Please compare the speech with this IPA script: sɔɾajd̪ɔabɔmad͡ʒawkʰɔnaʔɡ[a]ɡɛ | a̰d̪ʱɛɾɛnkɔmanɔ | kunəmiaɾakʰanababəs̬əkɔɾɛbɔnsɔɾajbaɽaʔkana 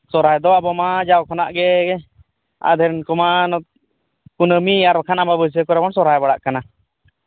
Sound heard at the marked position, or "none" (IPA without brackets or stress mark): ɛ